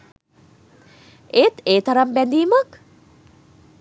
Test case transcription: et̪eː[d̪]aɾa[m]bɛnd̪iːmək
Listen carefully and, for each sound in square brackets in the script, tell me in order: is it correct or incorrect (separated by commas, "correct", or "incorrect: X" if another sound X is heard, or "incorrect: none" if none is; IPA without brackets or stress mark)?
incorrect: t̪, correct